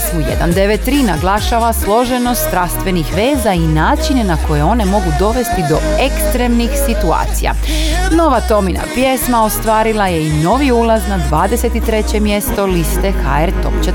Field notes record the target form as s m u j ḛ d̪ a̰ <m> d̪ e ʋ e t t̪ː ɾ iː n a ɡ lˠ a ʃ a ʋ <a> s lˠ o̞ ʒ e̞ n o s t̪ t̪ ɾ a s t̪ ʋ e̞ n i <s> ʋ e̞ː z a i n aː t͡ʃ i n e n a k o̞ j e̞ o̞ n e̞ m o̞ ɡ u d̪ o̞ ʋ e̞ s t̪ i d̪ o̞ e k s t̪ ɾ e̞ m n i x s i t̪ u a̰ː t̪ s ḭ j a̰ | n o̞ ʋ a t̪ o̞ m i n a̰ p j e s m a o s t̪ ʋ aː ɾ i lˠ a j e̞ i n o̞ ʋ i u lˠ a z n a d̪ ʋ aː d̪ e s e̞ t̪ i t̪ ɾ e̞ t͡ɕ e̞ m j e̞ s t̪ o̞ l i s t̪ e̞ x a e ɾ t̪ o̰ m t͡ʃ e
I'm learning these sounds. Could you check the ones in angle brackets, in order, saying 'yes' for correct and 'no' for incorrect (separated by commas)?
no, yes, no